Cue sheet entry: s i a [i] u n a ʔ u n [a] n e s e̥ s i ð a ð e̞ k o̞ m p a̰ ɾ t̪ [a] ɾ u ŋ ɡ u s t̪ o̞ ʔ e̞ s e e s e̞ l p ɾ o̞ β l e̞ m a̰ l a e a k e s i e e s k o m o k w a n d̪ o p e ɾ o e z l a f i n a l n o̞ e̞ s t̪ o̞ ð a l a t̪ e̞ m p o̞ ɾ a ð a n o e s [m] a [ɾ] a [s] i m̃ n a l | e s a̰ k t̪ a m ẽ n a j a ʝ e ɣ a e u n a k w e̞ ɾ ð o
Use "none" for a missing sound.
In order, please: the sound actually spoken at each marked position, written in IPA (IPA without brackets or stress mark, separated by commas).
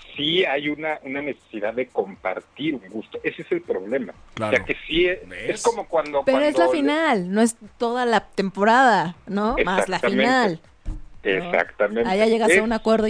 j, a, i, m, l, f